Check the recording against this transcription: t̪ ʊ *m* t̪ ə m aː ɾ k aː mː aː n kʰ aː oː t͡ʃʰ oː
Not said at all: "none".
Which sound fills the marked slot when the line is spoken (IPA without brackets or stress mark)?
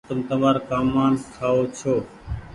m